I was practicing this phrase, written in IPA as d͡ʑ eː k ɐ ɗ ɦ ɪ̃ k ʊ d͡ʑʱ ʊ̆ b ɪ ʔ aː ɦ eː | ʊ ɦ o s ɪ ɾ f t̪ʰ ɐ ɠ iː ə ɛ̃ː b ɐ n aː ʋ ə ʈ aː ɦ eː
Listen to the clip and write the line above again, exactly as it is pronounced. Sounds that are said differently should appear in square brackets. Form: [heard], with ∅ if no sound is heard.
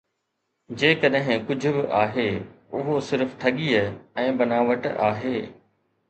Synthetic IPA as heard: d͡ʑ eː k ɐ ɗ ɦ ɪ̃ k ʊ d͡ʑʱ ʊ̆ b ɪ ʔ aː ɦ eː | ʊ ɦ o s ɪ ɾ f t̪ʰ ɐ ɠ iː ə ɛ̃ː b ɐ n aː ʋ ə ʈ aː ɦ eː